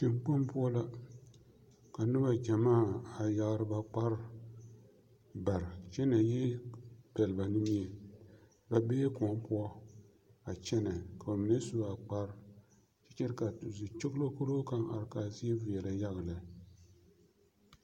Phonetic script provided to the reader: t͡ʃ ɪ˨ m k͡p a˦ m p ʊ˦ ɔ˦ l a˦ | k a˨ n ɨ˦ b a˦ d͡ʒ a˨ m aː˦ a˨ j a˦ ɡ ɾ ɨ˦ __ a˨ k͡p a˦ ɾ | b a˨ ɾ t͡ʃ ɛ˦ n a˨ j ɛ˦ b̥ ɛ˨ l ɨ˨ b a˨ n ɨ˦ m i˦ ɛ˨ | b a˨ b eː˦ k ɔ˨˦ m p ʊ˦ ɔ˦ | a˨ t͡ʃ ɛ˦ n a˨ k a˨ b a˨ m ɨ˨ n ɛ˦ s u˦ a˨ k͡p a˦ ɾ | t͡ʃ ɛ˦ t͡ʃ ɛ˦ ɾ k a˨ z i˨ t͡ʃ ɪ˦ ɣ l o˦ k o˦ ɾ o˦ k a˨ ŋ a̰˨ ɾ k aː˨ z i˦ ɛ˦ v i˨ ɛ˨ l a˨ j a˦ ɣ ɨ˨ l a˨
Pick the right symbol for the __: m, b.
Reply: b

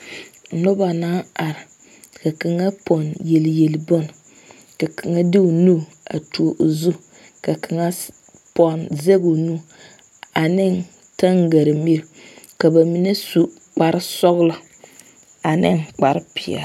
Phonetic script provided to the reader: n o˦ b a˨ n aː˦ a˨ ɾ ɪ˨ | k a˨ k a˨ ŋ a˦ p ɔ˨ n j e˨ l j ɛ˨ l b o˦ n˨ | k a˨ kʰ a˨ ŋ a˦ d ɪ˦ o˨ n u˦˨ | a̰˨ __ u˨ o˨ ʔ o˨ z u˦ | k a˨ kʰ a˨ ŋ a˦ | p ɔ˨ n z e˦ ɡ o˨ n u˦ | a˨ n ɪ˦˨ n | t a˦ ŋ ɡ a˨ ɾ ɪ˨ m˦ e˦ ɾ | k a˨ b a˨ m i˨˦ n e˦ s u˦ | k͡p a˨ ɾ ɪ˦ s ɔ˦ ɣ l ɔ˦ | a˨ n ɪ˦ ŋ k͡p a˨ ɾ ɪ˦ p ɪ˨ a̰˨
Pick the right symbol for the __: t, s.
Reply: t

